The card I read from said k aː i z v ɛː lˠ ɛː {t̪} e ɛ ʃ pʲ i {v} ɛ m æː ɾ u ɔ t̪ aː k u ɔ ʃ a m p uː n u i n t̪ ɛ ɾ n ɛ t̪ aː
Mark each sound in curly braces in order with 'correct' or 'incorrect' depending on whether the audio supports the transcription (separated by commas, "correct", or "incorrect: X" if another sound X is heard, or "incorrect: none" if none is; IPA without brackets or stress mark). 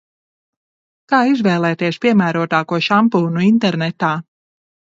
correct, incorrect: none